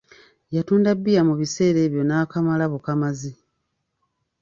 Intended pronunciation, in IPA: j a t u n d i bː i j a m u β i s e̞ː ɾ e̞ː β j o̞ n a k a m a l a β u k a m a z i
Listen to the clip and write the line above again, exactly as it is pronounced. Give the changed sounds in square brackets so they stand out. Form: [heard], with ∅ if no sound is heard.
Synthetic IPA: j a t [uː] n d [a] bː i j a m u β i s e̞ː ɾ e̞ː β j o̞ n a k a m a l a β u k a m a z i

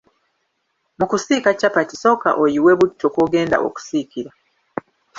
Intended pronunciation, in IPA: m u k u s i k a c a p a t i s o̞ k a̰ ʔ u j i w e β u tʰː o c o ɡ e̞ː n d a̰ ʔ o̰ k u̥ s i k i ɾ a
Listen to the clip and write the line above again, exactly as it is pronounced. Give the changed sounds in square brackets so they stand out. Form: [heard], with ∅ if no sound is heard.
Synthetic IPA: m u k u s i k a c a p a t i s o̞ k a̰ ʔ [o] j i w e β u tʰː o [k] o ɡ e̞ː n d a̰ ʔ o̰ k u̥ s i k i ɾ a

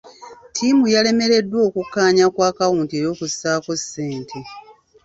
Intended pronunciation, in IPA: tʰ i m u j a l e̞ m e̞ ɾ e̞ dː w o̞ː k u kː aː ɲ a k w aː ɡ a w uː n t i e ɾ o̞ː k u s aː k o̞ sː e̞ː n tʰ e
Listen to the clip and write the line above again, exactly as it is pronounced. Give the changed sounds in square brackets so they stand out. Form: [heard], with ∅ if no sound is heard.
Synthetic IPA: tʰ i m u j a l e̞ m e̞ ɾ e̞ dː w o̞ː k u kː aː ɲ a k w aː [k] a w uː n t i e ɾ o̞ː k u s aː k o̞ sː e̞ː n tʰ e

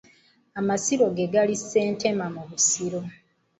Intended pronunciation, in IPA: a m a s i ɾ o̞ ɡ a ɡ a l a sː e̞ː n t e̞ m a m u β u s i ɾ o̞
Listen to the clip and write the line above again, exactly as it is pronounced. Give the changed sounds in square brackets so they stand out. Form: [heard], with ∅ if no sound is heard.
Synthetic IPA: a m a s i ɾ o̞ ɡ [e] ɡ a l [i] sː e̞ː n t e̞ m a m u β u s i ɾ o̞

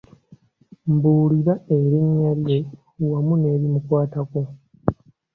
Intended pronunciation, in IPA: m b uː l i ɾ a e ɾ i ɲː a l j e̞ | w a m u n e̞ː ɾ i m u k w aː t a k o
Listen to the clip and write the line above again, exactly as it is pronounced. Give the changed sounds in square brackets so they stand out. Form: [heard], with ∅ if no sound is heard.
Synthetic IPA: m b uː l i ɾ a e ɾ i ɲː a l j e̞ | w a m u n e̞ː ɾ i m u k w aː t a k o

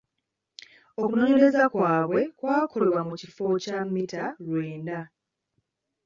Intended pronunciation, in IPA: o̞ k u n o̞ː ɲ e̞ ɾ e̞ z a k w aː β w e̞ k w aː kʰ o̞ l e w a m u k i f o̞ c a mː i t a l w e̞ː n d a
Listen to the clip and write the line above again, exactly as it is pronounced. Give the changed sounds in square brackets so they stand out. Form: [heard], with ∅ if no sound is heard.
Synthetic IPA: o̞ k u n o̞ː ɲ e̞ ɾ e̞ z a k w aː β w e̞ k w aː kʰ o̞ l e w a m u [c] i f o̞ c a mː i t a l w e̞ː n d a

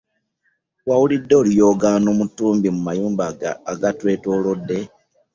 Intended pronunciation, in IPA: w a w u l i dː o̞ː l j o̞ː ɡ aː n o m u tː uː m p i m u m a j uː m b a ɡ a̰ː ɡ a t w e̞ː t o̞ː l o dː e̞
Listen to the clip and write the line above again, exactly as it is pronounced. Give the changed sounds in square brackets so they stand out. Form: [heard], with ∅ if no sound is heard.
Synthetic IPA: w a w u l i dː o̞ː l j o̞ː ɡ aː n o m u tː uː m [b] i m u m a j uː m b a ɡ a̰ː ɡ a t w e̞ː t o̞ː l o dː e̞

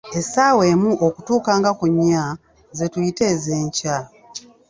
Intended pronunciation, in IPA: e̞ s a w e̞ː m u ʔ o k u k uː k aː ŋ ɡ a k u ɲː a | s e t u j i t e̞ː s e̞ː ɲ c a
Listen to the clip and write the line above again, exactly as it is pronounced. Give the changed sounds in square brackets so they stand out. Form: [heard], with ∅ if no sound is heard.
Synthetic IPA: e̞ s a w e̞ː m u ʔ o k u [t] uː k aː ŋ ɡ a k u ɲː a | [z] e t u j i t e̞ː [z] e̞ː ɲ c a

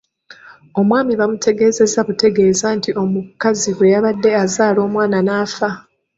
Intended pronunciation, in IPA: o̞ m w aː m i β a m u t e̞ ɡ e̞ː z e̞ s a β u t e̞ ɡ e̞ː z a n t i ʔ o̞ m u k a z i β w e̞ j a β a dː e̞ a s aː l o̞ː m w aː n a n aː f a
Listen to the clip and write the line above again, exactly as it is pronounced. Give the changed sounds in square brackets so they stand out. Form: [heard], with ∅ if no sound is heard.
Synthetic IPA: o̞ m w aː m i β a m u t e̞ ɡ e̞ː z e̞ [z] a β u t e̞ ɡ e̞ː z a n t i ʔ o̞ m u k a z i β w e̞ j a β a dː e̞ a [z] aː l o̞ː m w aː n a n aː f a

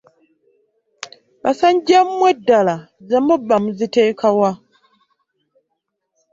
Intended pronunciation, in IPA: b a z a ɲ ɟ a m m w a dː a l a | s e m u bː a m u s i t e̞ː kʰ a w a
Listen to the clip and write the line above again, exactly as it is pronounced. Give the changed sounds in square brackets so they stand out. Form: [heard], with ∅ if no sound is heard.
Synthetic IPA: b a [s] a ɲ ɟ a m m w [e] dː a l a | [z] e m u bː a m u [z] i t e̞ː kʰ a w a

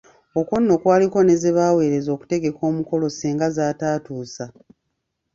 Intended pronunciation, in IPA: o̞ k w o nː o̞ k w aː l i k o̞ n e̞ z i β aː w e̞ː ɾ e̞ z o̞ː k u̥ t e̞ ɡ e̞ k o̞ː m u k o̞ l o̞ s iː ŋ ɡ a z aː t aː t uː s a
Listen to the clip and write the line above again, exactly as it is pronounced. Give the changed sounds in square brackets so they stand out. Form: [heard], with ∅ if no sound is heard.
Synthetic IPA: o̞ k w o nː o̞ k w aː l i k o̞ n e̞ z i β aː w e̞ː ɾ e̞ z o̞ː k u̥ t e̞ ɡ e̞ k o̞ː m u k o̞ l o̞ s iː ŋ ɡ a z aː t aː t uː s a

